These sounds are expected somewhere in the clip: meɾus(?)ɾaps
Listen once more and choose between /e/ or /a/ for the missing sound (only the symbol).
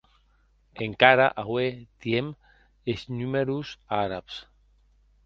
a